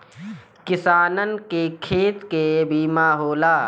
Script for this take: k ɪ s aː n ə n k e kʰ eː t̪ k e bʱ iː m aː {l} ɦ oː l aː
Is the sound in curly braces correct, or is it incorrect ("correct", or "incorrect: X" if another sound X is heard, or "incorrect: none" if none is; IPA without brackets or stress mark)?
incorrect: none